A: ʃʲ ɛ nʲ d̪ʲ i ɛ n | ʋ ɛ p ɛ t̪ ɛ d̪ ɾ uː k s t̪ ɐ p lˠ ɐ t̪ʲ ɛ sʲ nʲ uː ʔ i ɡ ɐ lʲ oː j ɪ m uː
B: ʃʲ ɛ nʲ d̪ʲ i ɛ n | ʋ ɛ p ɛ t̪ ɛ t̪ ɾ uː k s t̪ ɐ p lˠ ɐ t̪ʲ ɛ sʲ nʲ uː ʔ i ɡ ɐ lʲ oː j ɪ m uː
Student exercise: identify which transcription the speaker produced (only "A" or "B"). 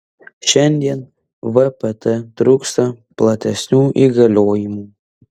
B